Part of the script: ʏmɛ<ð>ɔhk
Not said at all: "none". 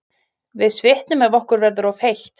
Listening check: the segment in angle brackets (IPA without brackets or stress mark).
v